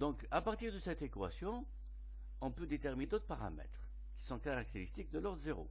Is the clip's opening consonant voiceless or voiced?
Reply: voiced